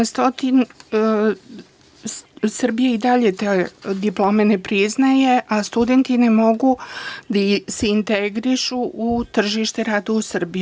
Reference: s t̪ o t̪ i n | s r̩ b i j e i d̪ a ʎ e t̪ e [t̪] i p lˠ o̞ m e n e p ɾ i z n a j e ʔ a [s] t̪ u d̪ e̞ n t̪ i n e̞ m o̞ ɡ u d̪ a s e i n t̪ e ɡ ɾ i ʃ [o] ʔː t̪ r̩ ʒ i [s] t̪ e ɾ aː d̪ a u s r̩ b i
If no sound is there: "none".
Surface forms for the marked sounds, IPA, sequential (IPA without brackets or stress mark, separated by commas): d̪, s, u, ʃ